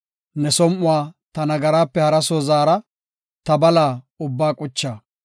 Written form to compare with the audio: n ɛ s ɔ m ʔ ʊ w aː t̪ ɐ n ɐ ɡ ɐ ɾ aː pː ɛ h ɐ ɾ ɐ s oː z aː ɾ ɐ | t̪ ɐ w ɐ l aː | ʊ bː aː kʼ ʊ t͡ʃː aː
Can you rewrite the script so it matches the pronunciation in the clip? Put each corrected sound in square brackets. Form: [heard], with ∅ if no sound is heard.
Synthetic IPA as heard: n ɛ s ɔ m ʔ ʊ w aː t̪ ɐ n ɐ ɡ ɐ ɾ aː pː ɛ h ɐ ɾ ɐ s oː z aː ɾ ɐ | t̪ ɐ [b] ɐ l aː | ʊ bː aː kʼ ʊ t͡ʃː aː